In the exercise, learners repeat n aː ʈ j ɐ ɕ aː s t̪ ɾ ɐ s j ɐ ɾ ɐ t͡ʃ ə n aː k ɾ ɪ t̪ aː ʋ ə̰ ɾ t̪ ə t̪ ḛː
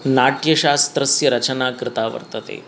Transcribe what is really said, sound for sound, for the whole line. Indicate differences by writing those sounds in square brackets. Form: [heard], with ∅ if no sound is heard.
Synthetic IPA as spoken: n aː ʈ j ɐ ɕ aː s t̪ ɾ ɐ s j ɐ ɾ ɐ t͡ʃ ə n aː k ɾ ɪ t̪ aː ʋ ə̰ ɾ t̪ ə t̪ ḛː